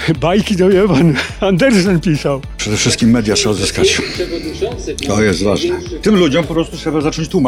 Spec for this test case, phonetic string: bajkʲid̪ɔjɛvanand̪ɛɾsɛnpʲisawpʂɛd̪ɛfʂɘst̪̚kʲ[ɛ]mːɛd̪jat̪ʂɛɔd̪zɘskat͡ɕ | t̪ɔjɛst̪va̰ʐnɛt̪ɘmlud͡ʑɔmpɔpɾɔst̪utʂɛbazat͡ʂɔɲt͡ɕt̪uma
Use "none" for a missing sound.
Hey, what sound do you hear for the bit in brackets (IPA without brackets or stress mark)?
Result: i